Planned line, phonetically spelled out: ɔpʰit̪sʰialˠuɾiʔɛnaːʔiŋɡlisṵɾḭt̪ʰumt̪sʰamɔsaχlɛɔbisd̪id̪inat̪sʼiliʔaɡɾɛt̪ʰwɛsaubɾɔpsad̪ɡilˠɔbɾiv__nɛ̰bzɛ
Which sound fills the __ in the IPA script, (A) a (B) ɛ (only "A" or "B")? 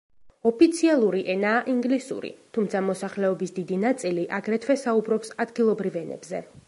B